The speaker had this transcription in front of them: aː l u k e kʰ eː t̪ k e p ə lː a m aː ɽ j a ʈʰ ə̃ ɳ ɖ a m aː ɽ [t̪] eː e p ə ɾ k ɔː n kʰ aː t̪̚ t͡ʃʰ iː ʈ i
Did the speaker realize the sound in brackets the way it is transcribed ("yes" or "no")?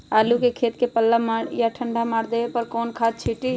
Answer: no